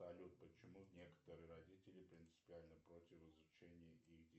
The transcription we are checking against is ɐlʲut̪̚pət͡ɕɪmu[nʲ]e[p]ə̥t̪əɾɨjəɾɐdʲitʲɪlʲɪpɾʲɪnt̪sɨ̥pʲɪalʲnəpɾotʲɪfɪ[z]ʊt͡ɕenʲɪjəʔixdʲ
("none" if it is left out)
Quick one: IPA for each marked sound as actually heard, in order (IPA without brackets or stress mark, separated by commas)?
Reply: nʲ, k, z